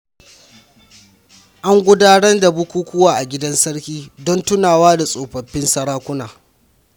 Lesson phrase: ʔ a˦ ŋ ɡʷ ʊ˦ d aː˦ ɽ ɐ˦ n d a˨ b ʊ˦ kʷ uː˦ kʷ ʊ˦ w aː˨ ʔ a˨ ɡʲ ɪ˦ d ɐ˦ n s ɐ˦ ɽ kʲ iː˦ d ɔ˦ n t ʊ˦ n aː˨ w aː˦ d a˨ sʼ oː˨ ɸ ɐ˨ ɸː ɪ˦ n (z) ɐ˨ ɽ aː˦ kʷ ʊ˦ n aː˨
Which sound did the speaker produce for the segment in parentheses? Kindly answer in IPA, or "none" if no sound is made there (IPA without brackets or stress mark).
s